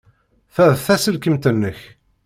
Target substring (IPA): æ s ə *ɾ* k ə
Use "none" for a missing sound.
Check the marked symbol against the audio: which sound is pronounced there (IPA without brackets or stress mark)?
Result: l